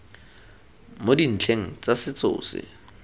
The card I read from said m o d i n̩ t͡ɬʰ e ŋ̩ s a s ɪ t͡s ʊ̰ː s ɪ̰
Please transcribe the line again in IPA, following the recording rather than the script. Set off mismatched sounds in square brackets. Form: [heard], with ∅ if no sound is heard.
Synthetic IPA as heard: m o d i n̩ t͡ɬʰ e ŋ̩ [t͡s] a s ɪ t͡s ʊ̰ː s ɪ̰